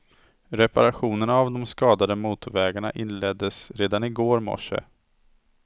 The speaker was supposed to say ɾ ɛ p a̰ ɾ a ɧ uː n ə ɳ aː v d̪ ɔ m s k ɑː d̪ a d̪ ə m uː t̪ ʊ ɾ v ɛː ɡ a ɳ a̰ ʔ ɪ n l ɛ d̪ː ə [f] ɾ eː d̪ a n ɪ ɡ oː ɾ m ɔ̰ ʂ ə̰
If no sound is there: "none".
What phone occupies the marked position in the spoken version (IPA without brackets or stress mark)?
s